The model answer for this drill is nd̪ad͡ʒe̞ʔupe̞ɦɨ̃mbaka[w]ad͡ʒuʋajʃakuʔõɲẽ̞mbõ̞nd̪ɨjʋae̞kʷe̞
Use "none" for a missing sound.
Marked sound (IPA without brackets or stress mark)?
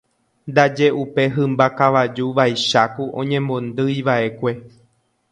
ʋ